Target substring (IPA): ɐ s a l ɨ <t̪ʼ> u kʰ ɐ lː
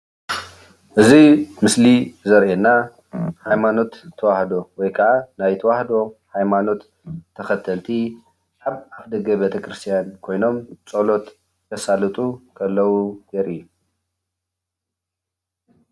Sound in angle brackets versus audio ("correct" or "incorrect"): correct